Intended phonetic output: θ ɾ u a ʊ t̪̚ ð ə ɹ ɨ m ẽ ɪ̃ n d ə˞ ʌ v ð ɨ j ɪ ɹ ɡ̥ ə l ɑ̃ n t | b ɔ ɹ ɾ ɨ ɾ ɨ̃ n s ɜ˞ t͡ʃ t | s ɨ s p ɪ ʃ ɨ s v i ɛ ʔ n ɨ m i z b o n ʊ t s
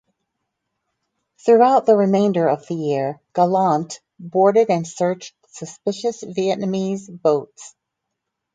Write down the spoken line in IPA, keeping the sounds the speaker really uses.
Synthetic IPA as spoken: θ ɹ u a ʊ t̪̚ ð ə ɹ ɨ m ẽ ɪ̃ n d ə˞ ʌ v ð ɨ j ɪ ɹ ɡ̥ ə l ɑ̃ n t | b ɔ ɹ ɾ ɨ ɾ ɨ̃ n s ɜ˞ t͡ʃ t | s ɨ s p ɪ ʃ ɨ s v i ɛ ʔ n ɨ m i z b o ʊ t s